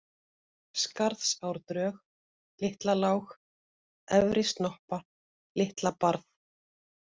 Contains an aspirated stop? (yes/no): no